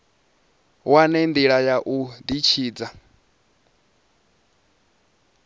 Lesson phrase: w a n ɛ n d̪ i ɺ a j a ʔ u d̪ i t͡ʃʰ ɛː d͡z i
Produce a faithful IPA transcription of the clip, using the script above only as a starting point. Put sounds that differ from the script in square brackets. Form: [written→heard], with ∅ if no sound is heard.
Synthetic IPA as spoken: w a n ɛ n d̪ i ɺ a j a ʔ u d̪ i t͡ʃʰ [ɛː→iː] d͡z [i→a]